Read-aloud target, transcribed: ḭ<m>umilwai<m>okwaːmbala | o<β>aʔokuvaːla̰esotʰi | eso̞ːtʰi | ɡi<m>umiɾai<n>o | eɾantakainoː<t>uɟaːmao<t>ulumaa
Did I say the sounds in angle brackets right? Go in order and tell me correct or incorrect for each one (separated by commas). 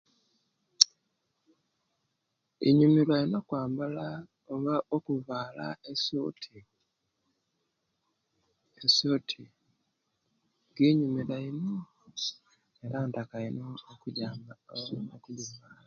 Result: incorrect, incorrect, correct, incorrect, correct, incorrect, incorrect